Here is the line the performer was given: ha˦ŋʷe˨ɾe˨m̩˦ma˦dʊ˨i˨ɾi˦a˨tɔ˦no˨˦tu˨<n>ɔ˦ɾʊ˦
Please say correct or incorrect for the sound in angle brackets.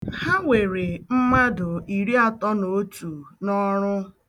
correct